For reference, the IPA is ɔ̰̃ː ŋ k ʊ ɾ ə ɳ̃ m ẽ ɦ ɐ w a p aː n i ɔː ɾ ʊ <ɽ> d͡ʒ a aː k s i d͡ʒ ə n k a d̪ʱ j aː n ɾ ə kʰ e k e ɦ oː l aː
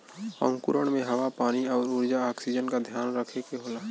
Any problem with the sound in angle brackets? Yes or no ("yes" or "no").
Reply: yes